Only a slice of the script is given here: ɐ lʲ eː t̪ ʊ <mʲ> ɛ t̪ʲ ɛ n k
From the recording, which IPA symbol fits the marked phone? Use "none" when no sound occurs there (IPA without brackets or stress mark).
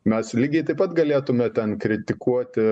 mʲ